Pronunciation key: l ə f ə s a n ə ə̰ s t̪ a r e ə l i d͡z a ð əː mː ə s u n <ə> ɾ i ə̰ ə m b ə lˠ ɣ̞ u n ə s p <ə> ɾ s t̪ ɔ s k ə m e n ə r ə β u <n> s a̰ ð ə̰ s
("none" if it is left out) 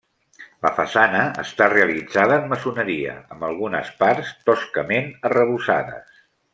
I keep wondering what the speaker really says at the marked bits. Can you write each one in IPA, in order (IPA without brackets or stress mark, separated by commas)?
ə, a, none